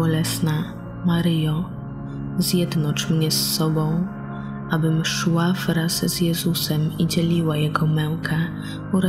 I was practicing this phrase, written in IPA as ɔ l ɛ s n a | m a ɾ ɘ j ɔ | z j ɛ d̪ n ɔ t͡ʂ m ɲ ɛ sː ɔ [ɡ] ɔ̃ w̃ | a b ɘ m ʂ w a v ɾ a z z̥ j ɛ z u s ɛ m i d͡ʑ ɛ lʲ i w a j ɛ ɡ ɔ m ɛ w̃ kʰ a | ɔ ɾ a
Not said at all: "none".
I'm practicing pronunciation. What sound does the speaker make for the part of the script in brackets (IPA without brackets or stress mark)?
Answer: b